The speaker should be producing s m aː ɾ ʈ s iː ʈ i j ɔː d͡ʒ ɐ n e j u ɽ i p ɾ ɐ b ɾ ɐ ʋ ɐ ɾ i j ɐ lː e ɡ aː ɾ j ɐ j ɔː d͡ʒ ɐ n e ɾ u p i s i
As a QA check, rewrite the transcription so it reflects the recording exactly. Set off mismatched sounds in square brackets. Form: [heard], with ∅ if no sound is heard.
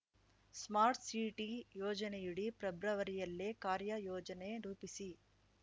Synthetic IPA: s m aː ɾ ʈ s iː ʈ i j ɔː d͡ʒ ɐ n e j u ɽ i p ɾ ɐ b ɾ ɐ ʋ ɐ ɾ i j ɐ lː e [k] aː ɾ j ɐ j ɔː d͡ʒ ɐ n e ɾ [uː] p i s i